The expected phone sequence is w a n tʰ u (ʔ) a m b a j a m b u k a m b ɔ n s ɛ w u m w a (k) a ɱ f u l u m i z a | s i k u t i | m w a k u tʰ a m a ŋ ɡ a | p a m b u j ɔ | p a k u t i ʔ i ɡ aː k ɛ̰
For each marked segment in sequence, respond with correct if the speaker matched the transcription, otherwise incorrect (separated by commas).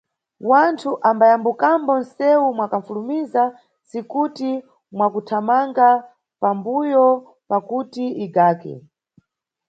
correct, correct